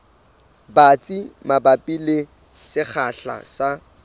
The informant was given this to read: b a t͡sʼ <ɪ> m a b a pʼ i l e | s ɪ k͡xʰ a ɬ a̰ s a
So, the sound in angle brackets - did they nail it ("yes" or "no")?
no